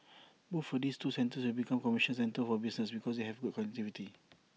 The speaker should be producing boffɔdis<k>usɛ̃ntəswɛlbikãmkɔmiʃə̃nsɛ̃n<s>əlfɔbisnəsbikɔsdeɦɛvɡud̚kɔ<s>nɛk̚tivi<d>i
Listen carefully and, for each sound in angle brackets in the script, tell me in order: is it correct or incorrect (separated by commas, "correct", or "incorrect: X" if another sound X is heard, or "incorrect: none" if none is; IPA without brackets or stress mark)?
incorrect: t, incorrect: t, incorrect: none, incorrect: t